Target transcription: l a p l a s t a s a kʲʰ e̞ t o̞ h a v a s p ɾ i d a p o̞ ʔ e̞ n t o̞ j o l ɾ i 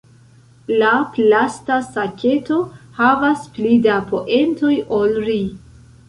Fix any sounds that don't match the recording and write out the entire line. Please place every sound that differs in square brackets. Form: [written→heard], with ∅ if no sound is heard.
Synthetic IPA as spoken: l a p l a s t a s a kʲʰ e̞ t o̞ h a v a s p [ɾ→l] i d a p o̞ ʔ e̞ n t o̞ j o l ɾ i